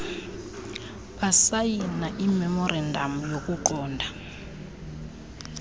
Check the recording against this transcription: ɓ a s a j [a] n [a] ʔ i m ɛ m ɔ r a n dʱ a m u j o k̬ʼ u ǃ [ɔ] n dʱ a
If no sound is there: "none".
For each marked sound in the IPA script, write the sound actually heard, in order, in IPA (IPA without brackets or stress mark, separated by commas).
i, a, ɔː